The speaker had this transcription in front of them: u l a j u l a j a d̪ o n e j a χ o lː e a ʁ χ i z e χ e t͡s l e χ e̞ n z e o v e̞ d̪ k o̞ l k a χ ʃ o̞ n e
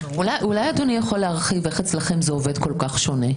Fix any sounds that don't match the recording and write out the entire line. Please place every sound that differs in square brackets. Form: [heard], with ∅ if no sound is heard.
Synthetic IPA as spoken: u l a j u l a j a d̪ o n [i] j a χ o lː e a ʁ χ i [v] e χ e t͡s l [a] χ e̞ [m] z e o v e̞ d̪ k o̞ l k a χ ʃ o̞ n e